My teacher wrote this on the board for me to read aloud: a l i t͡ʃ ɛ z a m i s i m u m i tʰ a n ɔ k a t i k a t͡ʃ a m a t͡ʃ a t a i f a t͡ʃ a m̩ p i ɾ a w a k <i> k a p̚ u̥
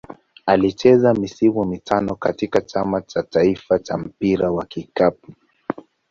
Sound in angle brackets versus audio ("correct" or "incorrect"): correct